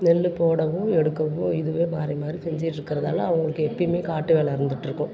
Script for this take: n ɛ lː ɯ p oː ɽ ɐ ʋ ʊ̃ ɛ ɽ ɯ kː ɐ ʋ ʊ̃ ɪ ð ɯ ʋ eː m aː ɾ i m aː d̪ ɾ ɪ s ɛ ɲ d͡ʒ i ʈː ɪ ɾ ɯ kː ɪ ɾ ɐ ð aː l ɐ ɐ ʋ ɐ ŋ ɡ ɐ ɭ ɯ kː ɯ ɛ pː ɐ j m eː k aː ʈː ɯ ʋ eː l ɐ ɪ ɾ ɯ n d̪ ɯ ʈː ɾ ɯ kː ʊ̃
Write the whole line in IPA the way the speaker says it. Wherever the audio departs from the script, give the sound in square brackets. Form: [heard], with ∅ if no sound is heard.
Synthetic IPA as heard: n ɛ lː ɯ p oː ɽ ɐ ʋ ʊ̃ ɛ ɽ ɯ kː ɐ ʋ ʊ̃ ɪ ð ɯ ʋ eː m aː ɾ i m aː d̪ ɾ [i] s ɛ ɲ d͡ʒ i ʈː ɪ ɾ ɯ kː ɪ ɾ ɐ ð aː l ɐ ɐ ʋ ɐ ŋ ɡ ɐ ɭ ɯ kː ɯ ɛ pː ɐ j m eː k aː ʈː ɯ ʋ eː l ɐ ɪ ɾ ɯ n d̪ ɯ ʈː ɾ ɯ kː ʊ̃